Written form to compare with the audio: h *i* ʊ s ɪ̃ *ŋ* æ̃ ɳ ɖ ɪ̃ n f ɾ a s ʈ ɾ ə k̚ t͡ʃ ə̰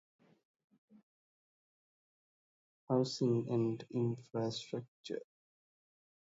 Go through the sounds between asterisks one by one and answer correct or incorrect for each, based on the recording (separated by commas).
incorrect, correct